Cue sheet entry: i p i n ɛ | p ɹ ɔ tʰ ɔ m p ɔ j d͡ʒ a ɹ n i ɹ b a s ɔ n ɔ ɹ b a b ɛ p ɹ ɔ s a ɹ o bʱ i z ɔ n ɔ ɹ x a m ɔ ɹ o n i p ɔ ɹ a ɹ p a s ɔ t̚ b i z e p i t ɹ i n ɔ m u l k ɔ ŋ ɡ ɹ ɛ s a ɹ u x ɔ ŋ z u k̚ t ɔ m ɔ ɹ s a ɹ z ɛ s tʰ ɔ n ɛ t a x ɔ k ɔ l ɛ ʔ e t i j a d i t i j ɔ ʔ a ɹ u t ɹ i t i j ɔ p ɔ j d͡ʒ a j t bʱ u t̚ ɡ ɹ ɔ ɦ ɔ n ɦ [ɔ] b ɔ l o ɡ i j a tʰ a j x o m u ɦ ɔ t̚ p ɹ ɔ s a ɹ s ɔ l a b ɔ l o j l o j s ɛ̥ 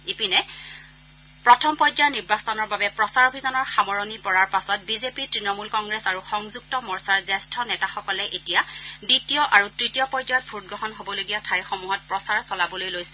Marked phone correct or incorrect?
incorrect